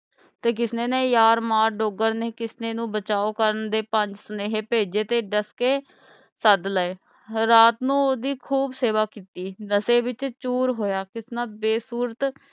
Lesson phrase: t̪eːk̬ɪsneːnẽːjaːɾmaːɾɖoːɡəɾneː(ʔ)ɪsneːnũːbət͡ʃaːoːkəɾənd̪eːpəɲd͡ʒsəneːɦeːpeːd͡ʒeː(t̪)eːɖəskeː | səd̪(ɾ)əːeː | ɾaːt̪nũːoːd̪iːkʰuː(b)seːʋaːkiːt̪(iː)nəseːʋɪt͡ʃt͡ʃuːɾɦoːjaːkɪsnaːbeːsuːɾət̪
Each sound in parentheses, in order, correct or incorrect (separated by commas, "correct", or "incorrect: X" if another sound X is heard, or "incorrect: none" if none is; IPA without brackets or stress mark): incorrect: k, correct, incorrect: l, correct, correct